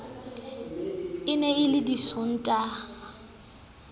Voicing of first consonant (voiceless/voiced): voiced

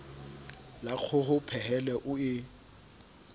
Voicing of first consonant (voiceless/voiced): voiced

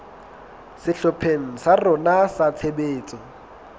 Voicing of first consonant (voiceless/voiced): voiceless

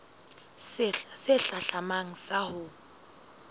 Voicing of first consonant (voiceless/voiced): voiceless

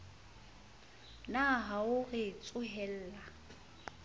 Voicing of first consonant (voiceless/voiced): voiced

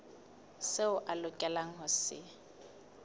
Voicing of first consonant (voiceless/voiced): voiceless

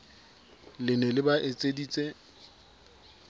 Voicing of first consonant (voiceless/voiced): voiced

